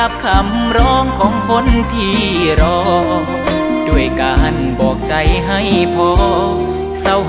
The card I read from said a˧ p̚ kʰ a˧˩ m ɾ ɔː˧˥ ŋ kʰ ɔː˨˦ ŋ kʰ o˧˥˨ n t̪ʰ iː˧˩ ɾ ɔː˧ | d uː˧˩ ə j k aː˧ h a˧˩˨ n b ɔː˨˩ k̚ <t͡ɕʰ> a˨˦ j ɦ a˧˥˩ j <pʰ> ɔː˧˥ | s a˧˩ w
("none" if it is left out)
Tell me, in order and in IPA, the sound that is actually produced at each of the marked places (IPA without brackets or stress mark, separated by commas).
t͡ɕ, pʰ